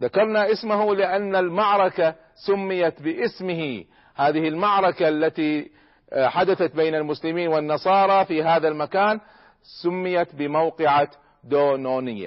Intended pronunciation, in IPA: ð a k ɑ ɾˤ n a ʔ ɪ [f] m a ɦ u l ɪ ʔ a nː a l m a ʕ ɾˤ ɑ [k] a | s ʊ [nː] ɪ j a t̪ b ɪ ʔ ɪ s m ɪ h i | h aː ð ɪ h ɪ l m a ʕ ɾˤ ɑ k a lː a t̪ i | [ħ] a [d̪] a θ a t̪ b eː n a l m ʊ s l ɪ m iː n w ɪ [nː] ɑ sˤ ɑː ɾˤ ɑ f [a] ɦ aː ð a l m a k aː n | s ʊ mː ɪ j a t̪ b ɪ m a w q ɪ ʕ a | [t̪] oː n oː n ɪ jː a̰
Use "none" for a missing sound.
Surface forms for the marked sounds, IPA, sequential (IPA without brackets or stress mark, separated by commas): s, k, mː, ħ, d̪, nː, i, d̪